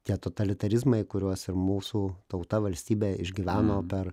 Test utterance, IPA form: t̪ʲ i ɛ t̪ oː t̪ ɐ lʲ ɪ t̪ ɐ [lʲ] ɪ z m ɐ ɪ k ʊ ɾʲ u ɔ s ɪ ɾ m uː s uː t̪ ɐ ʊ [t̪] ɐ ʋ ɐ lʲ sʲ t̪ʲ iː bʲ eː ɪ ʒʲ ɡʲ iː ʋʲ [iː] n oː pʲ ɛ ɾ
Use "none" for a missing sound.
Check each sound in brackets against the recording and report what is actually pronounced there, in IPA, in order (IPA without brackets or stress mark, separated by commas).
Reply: ɾʲ, t̪, æː